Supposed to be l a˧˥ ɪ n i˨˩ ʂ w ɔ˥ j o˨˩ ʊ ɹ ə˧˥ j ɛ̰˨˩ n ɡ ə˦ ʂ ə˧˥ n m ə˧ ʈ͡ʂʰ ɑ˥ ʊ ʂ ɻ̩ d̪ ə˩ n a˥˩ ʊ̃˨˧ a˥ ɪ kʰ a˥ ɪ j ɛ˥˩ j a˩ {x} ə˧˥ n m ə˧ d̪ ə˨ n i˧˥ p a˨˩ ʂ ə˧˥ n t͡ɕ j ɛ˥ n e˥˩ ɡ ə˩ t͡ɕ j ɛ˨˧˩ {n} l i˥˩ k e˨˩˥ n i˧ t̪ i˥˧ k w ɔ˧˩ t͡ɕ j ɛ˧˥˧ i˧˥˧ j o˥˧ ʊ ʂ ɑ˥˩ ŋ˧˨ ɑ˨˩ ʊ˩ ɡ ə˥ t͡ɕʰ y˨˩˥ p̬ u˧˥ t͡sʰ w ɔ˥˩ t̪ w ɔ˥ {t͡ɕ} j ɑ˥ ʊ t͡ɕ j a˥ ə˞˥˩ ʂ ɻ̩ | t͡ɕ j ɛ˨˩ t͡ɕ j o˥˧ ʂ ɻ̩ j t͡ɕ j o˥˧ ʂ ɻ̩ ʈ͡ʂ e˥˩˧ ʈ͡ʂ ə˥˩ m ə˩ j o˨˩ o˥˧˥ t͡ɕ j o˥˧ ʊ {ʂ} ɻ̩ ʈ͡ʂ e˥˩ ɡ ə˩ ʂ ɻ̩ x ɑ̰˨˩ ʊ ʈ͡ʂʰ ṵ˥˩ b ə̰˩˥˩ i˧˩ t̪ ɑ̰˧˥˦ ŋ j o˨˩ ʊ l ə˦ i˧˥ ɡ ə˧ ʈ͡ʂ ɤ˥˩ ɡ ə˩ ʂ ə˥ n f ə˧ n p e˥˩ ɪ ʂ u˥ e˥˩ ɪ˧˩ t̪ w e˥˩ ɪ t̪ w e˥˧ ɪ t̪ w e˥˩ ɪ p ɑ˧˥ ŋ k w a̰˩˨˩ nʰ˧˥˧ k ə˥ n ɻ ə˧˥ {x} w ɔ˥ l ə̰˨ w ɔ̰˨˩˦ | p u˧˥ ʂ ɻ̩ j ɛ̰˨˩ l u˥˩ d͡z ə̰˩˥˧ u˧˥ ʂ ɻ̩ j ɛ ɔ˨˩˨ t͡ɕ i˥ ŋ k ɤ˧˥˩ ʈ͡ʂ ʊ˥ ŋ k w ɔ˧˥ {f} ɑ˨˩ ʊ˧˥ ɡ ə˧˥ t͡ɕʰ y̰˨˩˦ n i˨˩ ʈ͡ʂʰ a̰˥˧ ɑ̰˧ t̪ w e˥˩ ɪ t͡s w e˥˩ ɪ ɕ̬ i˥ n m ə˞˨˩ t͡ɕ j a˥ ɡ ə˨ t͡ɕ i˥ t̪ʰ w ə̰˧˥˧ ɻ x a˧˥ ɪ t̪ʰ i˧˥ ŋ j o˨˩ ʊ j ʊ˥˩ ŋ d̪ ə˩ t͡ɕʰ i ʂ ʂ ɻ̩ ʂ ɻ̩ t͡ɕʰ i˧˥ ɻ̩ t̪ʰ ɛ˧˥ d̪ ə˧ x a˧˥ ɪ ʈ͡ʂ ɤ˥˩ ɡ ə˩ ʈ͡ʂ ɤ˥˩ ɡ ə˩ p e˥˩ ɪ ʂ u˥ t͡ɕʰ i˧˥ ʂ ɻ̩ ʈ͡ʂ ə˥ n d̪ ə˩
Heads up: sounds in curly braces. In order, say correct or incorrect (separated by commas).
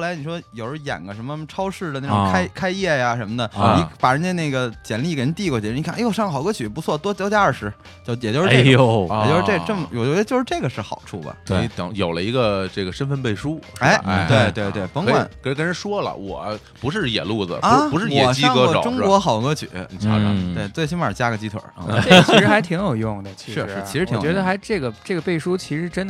incorrect, correct, correct, correct, incorrect, incorrect